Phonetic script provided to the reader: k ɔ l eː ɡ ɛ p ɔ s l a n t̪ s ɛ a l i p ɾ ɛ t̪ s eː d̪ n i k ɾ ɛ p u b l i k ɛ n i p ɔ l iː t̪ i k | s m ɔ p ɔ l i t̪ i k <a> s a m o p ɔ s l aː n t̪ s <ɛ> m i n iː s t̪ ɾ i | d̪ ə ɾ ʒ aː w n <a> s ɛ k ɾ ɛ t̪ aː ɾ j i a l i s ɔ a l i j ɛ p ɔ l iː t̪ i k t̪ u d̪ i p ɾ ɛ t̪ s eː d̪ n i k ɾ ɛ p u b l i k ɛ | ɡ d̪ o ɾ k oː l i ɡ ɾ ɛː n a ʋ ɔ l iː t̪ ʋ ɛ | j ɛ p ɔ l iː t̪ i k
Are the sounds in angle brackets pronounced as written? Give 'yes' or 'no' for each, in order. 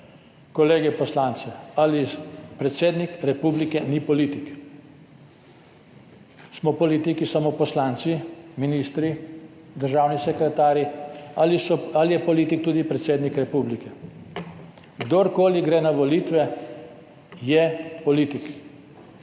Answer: no, no, no

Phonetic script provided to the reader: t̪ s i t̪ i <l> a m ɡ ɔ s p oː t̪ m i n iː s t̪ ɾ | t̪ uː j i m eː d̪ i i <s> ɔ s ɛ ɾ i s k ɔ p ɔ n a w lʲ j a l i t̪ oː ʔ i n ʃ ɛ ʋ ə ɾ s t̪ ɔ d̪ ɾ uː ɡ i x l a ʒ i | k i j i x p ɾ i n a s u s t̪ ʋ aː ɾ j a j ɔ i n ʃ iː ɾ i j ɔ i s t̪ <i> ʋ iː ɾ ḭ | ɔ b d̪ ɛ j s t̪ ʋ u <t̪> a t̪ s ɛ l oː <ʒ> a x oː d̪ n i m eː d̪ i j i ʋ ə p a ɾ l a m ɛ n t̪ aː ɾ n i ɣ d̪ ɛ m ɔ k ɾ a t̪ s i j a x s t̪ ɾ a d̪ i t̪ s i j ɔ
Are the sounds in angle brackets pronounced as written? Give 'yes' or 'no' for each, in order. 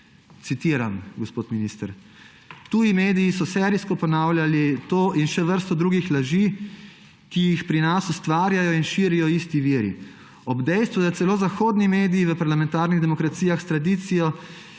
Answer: no, yes, yes, no, no

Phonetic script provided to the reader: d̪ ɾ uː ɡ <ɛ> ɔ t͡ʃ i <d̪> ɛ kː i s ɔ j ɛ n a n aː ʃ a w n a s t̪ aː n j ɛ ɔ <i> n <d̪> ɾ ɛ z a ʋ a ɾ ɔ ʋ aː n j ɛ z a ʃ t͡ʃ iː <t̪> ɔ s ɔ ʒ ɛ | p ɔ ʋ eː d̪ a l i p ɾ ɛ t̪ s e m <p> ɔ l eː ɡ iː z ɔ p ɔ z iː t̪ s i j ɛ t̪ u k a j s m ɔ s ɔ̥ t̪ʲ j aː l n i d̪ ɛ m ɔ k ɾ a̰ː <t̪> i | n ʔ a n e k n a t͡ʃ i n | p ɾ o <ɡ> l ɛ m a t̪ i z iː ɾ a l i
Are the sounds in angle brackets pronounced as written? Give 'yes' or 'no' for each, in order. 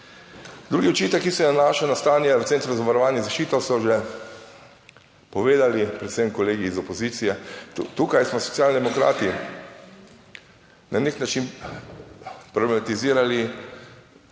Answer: no, no, no, no, yes, no, yes, no

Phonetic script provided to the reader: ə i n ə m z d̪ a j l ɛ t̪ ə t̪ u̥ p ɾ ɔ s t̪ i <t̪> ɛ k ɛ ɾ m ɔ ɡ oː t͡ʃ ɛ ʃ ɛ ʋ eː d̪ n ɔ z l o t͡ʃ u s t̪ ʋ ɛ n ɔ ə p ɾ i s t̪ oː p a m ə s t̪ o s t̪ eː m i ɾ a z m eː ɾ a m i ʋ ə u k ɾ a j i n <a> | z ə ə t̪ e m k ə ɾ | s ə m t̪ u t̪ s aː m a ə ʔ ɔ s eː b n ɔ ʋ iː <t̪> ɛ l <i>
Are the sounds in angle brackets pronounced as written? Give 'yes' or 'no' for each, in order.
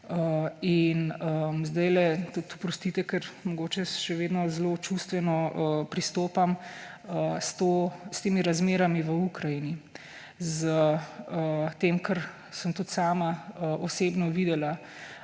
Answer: yes, no, no, no

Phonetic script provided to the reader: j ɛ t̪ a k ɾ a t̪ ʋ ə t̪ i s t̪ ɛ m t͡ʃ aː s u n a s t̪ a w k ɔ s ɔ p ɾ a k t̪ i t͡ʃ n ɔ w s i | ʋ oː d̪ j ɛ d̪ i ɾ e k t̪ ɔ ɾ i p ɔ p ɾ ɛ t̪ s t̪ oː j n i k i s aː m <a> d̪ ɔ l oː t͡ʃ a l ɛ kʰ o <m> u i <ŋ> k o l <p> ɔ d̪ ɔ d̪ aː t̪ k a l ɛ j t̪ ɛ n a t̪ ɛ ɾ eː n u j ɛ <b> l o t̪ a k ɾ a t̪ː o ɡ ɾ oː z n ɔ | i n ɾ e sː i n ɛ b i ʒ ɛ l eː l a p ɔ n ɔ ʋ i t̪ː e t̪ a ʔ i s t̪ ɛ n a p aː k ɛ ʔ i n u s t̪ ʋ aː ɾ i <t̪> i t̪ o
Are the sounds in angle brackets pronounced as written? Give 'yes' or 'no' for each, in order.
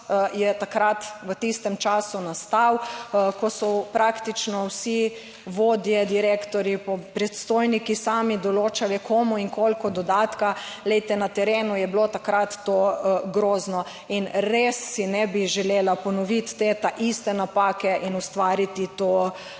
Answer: no, yes, yes, no, yes, yes

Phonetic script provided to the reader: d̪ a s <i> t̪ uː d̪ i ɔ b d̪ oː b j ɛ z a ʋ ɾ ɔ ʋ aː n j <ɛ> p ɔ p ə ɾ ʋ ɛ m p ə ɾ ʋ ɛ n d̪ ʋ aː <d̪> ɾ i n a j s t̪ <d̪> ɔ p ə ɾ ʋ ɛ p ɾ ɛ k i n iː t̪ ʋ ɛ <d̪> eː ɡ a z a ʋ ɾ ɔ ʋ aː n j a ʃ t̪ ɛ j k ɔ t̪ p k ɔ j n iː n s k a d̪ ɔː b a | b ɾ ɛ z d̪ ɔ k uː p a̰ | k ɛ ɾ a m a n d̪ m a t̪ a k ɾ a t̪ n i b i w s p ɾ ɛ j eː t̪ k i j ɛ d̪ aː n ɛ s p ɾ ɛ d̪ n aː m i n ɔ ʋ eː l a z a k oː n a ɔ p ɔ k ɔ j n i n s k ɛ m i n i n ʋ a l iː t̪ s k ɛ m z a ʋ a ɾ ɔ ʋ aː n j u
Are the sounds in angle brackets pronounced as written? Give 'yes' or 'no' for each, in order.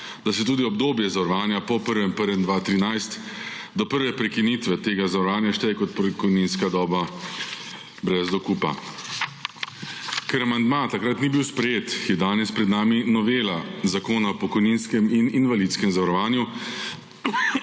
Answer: no, no, no, yes, no

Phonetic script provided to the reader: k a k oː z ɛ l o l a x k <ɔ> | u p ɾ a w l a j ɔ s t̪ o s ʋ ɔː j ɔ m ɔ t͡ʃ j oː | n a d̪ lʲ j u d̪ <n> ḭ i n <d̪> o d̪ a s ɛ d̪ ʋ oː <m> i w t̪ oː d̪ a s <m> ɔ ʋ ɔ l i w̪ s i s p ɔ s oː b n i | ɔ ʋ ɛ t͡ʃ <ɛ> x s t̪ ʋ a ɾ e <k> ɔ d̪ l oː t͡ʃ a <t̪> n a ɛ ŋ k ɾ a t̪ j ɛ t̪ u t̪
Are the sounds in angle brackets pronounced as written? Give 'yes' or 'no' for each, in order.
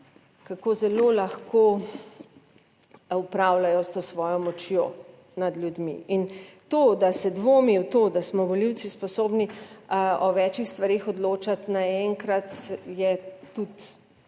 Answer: no, no, no, yes, yes, no, no, yes

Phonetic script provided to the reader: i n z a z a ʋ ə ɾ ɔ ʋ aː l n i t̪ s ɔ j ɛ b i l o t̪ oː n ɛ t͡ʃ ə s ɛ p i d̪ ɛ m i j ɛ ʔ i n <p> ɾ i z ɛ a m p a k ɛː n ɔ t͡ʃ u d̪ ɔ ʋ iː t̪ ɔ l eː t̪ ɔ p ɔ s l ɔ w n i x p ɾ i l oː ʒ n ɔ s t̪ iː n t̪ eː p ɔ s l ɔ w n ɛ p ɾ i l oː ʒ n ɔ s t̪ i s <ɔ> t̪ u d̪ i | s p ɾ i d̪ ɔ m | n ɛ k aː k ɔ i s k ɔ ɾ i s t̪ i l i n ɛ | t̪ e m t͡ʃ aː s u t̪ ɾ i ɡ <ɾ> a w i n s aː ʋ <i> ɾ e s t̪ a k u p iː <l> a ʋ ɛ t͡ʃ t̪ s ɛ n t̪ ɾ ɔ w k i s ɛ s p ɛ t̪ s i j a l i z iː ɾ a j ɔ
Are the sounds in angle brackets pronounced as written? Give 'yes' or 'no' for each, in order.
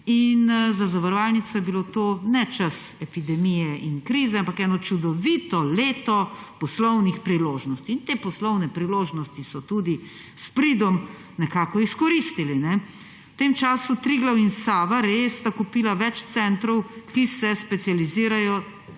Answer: no, yes, no, no, yes

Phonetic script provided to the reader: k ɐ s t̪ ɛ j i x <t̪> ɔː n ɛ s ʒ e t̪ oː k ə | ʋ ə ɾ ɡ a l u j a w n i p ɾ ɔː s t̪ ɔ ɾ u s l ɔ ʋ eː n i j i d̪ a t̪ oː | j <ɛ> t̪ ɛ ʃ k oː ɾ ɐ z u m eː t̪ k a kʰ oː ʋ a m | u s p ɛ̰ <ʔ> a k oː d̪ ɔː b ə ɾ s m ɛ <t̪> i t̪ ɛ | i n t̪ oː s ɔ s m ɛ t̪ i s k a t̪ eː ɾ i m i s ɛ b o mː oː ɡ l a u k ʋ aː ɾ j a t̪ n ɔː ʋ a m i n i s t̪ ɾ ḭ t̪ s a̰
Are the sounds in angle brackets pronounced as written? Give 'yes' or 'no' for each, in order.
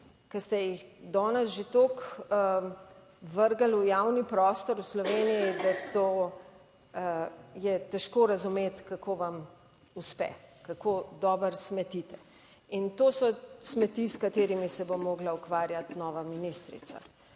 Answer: no, yes, no, yes

